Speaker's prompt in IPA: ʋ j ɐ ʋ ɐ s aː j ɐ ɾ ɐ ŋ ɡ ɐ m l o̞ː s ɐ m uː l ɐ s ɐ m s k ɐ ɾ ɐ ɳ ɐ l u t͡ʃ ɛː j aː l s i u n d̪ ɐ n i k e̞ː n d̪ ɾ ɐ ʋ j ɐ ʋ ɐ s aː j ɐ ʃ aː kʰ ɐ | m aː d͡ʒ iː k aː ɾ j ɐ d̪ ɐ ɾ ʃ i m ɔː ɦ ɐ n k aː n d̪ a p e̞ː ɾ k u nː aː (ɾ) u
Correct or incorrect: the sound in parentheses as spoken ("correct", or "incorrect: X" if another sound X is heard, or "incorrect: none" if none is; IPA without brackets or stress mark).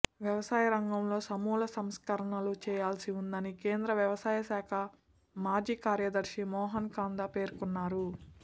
correct